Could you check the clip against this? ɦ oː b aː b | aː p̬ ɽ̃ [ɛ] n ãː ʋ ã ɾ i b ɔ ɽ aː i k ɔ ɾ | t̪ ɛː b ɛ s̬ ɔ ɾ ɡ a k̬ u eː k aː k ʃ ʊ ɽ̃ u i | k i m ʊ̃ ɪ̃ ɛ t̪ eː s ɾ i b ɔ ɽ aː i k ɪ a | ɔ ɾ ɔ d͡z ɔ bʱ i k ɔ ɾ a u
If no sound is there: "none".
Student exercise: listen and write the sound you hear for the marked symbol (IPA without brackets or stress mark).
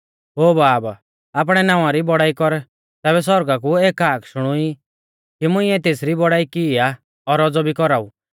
ɛ